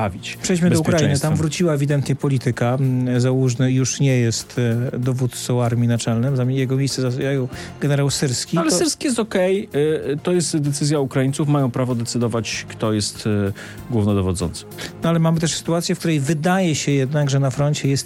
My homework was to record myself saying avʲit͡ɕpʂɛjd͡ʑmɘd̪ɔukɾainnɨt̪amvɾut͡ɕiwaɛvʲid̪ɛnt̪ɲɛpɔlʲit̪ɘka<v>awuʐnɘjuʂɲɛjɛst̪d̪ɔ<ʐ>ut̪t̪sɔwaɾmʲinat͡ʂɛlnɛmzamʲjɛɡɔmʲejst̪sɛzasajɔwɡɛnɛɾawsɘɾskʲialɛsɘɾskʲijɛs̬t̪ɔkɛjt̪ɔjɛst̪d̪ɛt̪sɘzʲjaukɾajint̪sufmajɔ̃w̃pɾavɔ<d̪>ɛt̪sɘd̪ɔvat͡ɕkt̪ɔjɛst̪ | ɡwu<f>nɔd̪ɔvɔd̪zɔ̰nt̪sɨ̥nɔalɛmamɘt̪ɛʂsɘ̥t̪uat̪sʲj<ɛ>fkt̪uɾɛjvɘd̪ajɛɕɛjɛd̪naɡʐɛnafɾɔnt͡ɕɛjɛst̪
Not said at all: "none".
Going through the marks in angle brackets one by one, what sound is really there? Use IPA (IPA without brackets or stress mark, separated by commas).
z, v, d̪, v, ɛ